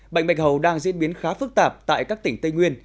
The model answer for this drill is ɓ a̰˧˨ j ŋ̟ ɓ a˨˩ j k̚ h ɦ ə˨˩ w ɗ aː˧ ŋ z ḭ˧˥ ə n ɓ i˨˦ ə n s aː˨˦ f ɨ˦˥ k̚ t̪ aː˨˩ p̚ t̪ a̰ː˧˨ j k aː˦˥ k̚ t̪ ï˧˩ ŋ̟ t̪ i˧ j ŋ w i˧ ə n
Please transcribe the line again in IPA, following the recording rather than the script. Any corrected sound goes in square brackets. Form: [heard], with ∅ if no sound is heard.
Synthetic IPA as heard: ɓ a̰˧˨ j ŋ̟ ɓ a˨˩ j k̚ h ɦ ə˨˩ w ɗ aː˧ ŋ z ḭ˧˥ ə n ɓ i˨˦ ə n [x] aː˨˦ f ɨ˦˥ k̚ t̪ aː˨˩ p̚ t̪ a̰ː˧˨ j k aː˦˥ k̚ t̪ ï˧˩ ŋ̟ t̪ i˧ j ŋ w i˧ ə n